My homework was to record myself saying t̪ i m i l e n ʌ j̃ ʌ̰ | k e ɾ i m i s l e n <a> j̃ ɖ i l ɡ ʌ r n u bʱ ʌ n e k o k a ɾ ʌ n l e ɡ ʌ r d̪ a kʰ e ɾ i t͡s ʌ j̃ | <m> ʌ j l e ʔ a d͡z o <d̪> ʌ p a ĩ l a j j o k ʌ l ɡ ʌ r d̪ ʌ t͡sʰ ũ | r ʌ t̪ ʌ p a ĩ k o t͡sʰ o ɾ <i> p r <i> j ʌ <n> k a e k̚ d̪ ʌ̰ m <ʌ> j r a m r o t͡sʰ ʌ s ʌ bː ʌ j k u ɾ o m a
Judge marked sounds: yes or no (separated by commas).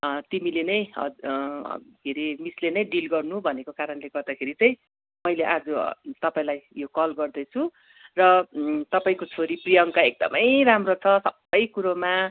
no, yes, no, yes, yes, no, yes